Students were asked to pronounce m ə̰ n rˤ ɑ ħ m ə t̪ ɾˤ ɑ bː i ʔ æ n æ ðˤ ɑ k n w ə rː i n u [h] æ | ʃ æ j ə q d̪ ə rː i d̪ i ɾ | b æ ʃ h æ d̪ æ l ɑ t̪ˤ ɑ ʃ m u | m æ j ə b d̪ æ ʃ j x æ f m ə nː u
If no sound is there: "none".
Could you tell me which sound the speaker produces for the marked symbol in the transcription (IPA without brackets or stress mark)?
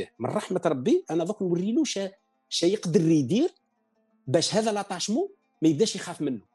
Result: ʃ